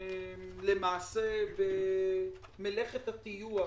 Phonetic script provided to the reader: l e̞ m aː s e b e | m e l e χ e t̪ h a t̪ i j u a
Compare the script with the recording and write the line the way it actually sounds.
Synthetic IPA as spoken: l e̞ m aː s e b e | m e l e χ e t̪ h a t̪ i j u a